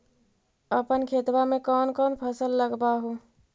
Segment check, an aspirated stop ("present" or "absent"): present